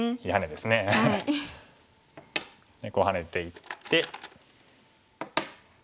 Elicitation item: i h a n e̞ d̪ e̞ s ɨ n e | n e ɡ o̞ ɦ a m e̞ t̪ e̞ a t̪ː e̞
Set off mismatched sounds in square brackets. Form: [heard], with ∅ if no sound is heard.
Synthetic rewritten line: i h a n e̞ d̪ e̞ s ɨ n e | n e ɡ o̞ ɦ a [n] e̞ t̪ e̞ [i] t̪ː e̞